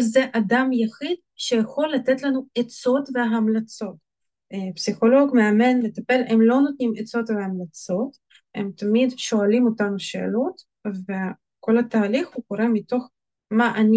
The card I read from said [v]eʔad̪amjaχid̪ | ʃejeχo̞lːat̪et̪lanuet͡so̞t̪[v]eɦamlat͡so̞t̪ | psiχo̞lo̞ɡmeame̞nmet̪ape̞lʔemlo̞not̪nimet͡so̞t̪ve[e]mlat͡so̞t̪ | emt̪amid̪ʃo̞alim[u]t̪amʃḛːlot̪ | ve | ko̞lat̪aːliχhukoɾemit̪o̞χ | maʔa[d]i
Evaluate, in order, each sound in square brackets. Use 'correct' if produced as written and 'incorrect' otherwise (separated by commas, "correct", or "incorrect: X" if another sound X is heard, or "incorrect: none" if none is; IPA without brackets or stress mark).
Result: incorrect: z, correct, incorrect: a, incorrect: o, incorrect: n